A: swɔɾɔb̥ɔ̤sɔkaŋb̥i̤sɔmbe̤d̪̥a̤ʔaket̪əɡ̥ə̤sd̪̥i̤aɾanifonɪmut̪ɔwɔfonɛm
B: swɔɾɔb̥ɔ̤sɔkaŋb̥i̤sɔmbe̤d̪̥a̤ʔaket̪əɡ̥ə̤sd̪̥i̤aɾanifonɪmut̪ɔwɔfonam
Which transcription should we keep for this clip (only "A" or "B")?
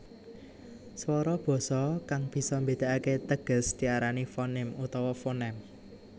A